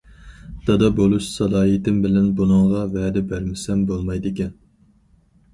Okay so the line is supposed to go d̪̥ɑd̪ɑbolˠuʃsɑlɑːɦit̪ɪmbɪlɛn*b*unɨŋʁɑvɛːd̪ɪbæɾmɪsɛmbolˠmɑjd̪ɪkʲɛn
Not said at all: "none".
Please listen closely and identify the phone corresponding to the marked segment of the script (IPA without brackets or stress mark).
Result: b